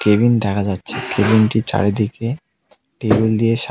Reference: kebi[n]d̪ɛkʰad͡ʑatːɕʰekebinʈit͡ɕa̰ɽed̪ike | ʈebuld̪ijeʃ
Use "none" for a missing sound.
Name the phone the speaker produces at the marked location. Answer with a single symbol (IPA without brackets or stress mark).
n